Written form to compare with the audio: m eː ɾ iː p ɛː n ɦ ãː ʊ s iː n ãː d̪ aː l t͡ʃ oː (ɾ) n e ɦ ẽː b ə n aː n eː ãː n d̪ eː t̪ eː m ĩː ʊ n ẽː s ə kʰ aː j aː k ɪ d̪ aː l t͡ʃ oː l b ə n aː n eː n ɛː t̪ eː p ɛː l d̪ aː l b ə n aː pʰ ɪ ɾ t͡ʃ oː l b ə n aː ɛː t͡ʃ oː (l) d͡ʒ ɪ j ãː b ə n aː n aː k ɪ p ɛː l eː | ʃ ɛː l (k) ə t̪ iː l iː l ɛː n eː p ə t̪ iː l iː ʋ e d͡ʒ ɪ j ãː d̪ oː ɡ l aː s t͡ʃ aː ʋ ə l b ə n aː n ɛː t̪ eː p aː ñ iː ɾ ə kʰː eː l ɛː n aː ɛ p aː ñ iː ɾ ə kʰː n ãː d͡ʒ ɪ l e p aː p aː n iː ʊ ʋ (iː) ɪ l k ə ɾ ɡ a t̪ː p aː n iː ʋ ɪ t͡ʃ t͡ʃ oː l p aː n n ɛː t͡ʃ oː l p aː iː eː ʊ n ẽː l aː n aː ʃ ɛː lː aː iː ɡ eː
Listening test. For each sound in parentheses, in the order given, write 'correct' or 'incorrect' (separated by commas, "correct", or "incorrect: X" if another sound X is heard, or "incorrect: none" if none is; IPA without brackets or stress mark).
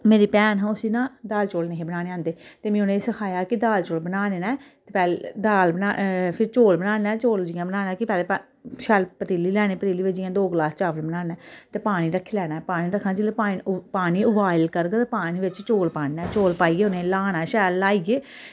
incorrect: l, correct, incorrect: p, incorrect: aː